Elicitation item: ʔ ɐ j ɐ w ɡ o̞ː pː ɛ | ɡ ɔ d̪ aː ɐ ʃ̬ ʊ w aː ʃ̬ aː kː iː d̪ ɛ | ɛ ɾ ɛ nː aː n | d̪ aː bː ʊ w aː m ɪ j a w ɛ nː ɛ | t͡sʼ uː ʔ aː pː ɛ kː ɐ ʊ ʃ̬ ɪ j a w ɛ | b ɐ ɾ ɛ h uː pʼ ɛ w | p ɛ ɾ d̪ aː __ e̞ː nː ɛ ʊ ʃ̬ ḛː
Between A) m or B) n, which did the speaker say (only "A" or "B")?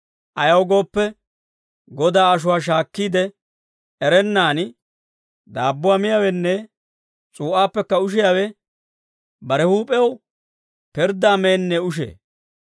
A